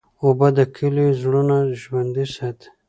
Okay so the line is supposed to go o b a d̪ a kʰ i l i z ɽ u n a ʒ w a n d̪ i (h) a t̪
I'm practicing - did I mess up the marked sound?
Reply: yes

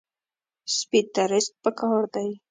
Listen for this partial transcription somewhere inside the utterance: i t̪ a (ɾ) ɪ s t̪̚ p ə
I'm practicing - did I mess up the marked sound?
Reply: no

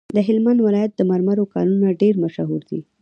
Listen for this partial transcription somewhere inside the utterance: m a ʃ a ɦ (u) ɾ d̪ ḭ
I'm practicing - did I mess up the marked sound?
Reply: no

